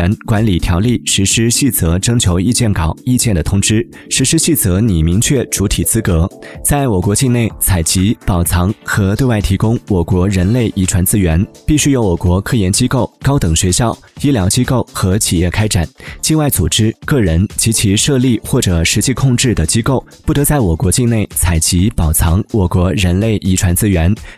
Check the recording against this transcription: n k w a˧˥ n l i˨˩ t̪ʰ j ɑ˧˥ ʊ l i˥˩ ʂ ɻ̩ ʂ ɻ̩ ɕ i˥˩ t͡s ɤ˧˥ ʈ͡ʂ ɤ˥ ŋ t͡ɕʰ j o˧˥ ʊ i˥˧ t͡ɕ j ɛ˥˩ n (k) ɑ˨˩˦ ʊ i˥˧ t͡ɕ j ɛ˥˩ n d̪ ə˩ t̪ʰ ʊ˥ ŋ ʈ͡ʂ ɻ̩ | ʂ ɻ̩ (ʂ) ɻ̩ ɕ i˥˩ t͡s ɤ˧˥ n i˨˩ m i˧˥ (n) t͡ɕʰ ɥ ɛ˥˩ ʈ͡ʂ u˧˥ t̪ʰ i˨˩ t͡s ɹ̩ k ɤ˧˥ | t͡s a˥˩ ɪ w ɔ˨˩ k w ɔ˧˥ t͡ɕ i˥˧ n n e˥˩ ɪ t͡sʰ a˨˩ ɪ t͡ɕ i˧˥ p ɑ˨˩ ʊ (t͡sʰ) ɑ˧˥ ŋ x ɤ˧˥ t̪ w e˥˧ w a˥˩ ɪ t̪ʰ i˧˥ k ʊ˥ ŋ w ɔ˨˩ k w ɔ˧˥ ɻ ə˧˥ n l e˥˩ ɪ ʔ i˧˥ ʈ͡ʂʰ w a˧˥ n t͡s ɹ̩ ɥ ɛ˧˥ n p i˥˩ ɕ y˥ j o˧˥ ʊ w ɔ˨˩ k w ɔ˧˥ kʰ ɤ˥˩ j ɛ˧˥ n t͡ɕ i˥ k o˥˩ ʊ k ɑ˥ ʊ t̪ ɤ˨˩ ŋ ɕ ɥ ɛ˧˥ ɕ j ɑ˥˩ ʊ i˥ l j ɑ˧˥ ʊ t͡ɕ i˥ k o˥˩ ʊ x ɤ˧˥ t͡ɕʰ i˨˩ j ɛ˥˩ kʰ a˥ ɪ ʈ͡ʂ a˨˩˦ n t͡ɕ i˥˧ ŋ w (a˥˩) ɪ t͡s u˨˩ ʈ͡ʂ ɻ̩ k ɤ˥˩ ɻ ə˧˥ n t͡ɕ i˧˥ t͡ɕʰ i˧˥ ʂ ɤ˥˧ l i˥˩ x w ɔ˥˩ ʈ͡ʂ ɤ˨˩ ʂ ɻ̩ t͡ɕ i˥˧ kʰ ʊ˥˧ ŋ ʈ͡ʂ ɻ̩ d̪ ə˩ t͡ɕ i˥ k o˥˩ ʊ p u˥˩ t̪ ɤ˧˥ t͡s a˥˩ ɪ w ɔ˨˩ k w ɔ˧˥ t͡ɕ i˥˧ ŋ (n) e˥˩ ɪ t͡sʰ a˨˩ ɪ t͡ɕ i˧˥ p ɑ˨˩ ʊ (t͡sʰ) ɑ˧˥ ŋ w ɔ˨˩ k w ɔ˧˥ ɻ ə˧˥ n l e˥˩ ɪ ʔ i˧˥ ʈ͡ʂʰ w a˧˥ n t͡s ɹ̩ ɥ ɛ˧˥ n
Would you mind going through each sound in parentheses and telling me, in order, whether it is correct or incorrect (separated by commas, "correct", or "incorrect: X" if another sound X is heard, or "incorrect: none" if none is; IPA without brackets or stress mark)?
correct, correct, incorrect: ŋ, correct, correct, correct, correct